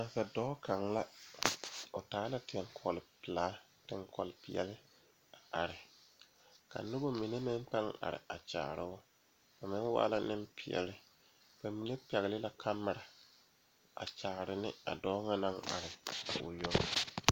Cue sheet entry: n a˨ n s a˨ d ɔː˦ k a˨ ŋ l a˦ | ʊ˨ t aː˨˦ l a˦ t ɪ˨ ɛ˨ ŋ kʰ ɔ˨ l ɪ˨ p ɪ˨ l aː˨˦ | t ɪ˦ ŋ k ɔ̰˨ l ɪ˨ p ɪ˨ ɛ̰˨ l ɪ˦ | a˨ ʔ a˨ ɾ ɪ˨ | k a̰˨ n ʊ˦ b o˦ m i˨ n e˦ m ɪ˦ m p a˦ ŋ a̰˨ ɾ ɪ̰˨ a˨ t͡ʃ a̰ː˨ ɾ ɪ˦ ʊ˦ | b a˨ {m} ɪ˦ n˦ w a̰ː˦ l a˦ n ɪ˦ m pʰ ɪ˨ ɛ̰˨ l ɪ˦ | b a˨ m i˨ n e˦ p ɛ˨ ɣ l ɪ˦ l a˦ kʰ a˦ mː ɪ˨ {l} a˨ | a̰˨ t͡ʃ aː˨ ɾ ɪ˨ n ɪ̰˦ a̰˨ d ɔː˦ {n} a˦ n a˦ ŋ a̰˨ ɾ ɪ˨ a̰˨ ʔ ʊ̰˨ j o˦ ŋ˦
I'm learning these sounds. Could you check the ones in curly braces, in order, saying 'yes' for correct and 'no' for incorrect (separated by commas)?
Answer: yes, no, no